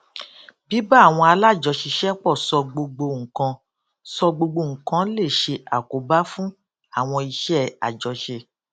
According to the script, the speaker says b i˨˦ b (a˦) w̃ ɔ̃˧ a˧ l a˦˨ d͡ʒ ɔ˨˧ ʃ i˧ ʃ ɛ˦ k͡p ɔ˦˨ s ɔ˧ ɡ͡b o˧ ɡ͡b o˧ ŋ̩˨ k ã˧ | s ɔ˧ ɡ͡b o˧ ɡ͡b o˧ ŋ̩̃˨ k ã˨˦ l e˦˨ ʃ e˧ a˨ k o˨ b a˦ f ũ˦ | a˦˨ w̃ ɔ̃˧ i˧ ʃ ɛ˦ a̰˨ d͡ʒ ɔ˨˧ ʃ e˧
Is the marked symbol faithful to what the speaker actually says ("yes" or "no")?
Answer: no